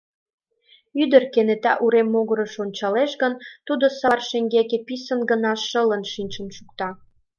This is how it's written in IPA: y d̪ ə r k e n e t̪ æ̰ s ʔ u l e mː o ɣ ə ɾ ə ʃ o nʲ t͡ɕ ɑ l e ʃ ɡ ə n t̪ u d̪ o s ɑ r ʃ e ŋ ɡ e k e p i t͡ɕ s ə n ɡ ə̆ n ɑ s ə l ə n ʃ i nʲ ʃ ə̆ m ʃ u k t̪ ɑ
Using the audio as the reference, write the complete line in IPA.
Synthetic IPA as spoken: y d̪ ə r k e n e t̪ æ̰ ʔ u ɾ e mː o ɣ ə ɾ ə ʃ o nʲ t͡ɕ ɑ l e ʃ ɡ ə n t̪ u d̪ o s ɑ r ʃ e ŋ ɡ e k e p i s ə n ɡ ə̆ n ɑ ʃ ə l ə n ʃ i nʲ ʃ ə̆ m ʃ u k t̪ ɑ